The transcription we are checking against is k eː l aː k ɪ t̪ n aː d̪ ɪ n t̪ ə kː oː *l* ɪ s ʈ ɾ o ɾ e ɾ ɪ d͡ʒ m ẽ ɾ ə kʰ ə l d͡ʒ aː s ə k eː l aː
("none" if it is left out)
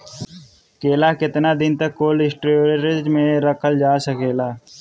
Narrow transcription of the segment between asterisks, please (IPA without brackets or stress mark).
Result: l